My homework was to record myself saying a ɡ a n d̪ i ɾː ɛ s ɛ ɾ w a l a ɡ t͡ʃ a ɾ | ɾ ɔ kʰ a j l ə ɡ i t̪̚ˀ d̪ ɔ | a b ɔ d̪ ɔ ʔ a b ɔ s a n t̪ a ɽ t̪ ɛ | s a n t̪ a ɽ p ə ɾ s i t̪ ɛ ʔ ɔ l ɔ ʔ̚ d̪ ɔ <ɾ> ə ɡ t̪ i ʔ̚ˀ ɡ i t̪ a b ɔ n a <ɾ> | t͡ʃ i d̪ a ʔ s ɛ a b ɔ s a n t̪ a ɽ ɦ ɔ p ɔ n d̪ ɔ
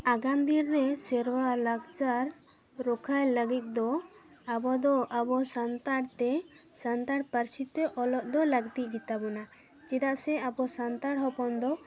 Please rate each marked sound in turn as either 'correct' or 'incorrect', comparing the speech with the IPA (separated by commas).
incorrect, incorrect